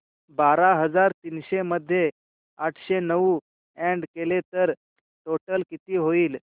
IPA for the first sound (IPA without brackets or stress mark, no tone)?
b